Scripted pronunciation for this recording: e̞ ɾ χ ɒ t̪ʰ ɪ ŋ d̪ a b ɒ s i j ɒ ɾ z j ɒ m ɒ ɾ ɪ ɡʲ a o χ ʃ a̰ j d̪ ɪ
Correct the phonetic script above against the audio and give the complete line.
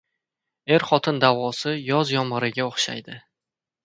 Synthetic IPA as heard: e̞ ɾ χ ɒ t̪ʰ ɪ n d̪ a v ɒ s ɪ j ɒ z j ɒ m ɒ ɾ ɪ ɡʲ a o χ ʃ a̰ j d̪ ɪ